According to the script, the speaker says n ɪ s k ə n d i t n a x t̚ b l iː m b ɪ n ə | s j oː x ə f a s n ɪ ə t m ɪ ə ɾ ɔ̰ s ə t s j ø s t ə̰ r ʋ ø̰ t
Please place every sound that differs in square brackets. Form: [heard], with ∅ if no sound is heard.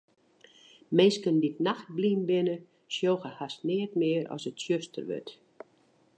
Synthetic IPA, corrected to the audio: [m] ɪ s k ə n d i t n a x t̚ b l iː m b ɪ n ə | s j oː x ə [h] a s n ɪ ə t m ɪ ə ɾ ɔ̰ s ə t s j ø s t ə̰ r ʋ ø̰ t